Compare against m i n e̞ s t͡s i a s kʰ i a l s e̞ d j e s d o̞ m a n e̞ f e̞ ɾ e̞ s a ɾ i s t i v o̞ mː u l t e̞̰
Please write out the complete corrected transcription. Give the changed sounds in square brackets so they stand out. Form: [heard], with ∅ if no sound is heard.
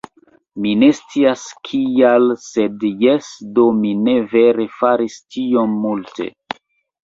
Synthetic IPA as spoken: m i n e̞ s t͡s i a s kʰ i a l s e̞ d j e s d o̞ m [i] n e̞ [v] e̞ ɾ e̞ [f] a ɾ i s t i [∅] o̞ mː u l t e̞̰